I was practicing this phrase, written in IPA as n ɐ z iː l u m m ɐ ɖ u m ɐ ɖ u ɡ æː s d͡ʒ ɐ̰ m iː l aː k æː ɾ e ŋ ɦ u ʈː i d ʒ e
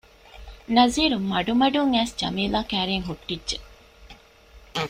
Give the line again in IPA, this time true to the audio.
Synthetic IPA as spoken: n ɐ z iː ɾ u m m ɐ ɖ u m ɐ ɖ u ŋ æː s d͡ʒ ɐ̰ m iː l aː k æː ɾ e ŋ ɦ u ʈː i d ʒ e